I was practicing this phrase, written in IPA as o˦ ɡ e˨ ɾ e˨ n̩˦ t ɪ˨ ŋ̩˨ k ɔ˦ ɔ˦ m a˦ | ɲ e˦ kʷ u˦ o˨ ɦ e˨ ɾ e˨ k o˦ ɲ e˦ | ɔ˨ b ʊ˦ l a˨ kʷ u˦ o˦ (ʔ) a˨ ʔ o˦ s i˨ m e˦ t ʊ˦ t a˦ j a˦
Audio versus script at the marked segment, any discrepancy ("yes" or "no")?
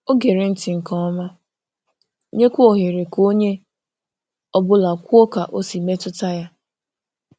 yes